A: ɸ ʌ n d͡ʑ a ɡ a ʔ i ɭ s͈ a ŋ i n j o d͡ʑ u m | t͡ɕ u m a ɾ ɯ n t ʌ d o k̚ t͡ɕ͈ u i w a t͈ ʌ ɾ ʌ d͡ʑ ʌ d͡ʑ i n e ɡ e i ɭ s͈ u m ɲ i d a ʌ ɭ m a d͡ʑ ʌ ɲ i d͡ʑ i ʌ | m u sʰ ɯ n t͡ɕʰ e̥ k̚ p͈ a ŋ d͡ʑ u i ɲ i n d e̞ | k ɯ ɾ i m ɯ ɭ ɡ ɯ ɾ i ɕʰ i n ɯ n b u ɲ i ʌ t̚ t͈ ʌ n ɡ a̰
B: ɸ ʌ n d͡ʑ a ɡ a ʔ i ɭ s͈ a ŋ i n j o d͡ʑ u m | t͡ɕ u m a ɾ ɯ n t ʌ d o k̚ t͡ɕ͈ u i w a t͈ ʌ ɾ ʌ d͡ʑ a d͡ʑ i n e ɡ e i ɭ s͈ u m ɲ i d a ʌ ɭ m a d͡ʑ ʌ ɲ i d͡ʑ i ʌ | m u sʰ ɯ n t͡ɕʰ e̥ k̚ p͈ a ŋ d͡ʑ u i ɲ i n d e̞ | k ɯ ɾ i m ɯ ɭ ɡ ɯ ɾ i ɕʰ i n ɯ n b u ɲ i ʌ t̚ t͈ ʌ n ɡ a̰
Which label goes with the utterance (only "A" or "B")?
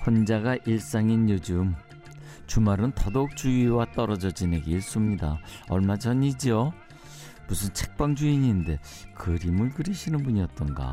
A